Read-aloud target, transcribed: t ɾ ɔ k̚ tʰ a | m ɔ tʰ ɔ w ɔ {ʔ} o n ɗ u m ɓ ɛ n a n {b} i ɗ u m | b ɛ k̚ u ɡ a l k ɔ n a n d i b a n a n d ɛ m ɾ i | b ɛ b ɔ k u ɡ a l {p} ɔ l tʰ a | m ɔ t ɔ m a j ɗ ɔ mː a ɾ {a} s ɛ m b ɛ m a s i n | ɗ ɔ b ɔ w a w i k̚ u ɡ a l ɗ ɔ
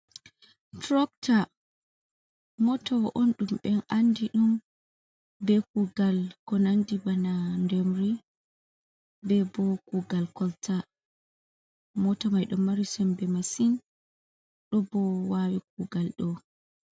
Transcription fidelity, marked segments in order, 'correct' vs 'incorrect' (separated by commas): correct, incorrect, incorrect, incorrect